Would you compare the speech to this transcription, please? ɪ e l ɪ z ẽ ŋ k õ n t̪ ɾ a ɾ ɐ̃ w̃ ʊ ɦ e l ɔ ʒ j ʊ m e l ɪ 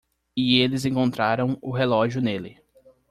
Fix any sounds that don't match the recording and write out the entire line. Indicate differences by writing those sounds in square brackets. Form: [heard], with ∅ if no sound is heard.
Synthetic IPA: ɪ e l ɪ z ẽ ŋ k õ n t̪ ɾ a ɾ ɐ̃ w̃ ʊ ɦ e l ɔ ʒ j ʊ [n] e l ɪ

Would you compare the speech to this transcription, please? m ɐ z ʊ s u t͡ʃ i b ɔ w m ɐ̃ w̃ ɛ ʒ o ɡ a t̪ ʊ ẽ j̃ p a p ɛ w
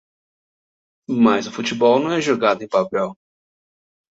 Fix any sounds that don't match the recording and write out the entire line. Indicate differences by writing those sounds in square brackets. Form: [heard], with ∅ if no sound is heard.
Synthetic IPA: m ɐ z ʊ [f] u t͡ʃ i b ɔ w [n] ɐ̃ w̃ ɛ ʒ o ɡ a [d̪] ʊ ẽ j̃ p a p ɛ w

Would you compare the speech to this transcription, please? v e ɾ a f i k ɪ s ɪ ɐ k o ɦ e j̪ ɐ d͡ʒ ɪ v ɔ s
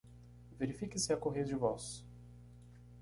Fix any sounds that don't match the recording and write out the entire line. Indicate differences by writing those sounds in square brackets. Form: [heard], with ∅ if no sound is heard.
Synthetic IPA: v e ɾ [i] f i k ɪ s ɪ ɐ k o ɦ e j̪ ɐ d͡ʒ ɪ v ɔ s

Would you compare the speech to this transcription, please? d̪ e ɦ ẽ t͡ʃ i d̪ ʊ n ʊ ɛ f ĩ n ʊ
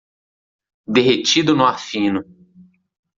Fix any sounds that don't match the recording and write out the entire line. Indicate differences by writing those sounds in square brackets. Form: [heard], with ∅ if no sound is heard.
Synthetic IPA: d̪ e ɦ [e] t͡ʃ i d̪ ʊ n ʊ [a] f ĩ n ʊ

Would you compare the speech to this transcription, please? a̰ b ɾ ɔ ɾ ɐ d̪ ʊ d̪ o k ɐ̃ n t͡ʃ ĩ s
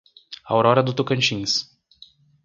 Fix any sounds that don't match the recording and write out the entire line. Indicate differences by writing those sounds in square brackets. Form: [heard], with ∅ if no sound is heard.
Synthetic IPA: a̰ [w] ɾ ɔ ɾ ɐ d̪ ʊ [t̪] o k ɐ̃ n t͡ʃ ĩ s

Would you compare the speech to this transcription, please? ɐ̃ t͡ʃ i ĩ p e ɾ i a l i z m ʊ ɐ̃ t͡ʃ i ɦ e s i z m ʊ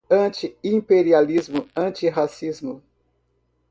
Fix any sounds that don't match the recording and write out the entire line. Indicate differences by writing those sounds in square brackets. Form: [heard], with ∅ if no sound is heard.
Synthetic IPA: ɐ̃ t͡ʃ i ĩ p e ɾ i a l i z m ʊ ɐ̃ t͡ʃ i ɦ [a] s i z m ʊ

